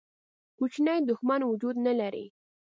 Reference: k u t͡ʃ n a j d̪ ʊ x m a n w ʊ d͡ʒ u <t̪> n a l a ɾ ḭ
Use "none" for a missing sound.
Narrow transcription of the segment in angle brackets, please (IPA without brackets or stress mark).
d̪